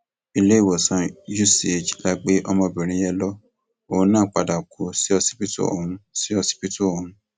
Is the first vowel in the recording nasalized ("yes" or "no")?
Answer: no